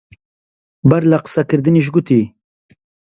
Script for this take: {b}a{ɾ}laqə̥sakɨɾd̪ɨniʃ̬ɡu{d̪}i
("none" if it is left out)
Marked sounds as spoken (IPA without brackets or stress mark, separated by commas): b, ɾ, t̪